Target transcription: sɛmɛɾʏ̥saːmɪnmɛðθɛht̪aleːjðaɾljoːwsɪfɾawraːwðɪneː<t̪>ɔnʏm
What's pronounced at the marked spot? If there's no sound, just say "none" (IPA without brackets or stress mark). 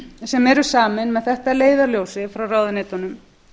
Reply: t̪